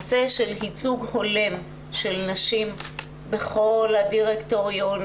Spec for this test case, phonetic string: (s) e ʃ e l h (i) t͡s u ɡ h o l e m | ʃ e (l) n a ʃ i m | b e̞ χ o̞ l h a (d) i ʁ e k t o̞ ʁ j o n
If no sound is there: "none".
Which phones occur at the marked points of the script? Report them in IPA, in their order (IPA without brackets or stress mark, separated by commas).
s, i, l, d